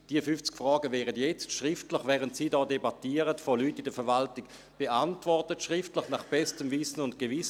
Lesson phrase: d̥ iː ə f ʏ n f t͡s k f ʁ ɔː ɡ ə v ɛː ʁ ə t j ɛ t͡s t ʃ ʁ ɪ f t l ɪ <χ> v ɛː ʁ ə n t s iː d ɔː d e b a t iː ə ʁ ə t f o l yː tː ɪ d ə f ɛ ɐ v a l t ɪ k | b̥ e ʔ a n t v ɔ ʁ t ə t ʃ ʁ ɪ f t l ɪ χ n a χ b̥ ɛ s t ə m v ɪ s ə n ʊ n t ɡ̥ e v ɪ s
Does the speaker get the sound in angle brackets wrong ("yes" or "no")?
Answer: no